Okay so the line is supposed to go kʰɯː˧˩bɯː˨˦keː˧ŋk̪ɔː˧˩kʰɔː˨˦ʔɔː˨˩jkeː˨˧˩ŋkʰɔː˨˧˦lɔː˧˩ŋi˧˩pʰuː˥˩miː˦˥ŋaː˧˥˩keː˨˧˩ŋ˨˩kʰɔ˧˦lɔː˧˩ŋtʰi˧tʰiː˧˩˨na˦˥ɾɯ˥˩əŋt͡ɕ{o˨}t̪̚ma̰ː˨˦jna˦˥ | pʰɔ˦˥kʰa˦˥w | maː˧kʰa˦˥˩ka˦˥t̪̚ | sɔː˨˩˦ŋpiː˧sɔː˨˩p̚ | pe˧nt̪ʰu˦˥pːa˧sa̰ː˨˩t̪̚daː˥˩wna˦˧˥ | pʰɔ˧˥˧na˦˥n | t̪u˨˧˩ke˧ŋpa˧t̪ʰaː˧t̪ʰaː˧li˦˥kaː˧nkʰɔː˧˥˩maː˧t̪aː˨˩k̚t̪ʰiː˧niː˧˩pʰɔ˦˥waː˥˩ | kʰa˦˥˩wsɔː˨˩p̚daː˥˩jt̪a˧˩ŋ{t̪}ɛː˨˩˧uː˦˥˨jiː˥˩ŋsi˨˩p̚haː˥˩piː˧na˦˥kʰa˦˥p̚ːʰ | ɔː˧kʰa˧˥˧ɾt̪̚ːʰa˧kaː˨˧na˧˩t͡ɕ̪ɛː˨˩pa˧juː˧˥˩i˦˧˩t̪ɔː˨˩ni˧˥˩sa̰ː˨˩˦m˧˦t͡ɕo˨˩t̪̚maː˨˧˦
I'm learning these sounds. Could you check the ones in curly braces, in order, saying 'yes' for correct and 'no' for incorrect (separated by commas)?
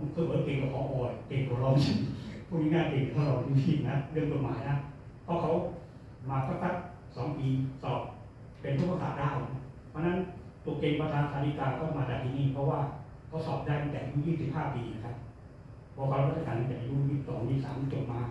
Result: yes, yes